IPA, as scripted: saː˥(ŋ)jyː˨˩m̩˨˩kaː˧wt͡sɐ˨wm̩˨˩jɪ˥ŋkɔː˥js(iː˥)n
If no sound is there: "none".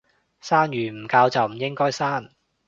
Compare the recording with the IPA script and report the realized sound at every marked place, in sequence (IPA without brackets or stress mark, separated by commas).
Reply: n, aː˥